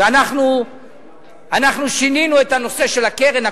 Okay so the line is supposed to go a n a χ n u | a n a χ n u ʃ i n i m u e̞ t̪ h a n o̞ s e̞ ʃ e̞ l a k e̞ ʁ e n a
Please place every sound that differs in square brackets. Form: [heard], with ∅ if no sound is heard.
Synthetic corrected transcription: a n a χ n u | a n a χ n u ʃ i n i [n] u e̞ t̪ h a n o̞ s e̞ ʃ e̞ l a k e̞ ʁ e n a